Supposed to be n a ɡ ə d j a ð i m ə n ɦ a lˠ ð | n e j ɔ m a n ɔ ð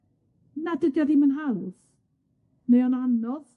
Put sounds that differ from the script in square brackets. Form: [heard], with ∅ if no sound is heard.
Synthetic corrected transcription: n a [d] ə d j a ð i m ə n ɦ a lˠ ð | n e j ɔ [n] a n ɔ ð